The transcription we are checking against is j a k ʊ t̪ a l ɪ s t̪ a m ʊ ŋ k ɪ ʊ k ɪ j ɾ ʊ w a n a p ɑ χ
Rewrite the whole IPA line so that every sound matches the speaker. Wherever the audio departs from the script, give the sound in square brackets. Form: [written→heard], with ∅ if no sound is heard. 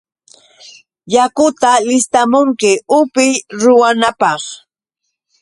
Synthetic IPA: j a k ʊ t̪ a l ɪ s t̪ a m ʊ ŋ k ɪ ʊ [k→p] ɪ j ɾ ʊ w a n a p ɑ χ